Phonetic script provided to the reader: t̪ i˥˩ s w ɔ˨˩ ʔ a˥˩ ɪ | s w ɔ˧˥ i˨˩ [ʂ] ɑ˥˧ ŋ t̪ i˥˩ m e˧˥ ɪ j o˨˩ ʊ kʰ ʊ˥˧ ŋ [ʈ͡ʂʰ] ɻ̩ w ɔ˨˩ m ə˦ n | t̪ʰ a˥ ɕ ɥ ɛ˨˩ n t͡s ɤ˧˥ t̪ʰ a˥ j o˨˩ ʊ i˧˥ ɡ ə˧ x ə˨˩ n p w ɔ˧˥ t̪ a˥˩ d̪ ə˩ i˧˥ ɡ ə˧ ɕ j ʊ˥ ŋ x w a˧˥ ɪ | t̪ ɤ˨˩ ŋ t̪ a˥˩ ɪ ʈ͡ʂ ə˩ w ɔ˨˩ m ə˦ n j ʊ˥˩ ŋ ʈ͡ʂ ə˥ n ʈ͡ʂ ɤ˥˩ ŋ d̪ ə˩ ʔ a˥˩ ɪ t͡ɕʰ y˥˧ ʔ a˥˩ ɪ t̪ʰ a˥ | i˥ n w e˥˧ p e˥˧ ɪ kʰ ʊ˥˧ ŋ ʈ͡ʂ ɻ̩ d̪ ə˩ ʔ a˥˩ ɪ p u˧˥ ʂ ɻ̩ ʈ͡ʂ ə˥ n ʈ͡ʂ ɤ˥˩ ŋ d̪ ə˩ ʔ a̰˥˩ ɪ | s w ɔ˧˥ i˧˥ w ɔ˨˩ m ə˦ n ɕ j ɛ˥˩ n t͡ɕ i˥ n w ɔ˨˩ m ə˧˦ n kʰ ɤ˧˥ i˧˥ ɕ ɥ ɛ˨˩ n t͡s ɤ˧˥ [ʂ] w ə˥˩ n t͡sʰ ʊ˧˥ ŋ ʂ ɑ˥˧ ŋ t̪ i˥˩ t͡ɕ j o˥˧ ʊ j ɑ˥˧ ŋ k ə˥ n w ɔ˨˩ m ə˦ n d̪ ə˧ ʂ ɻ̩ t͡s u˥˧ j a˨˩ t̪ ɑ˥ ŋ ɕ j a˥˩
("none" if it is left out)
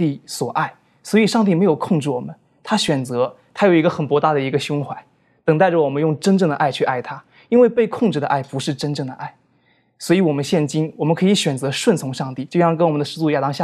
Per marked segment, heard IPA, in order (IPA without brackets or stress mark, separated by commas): ʂ, ʈ͡ʂ, ʂ